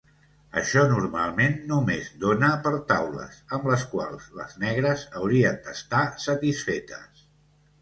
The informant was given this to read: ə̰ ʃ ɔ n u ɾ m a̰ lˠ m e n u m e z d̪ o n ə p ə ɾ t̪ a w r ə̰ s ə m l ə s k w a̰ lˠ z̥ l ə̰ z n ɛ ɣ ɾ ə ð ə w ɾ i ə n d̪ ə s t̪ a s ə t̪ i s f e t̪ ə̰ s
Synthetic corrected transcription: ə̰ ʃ ɔ n u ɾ m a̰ lˠ m e nː u m e z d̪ o n ə p ə ɾ t̪ a w l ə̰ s ə m l ə s k w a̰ lˠ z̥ l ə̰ z n ɛ ɣ ɾ ə z ə w ɾ i ə n d̪ ə s t̪ a s ə t̪ i s f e t̪ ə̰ s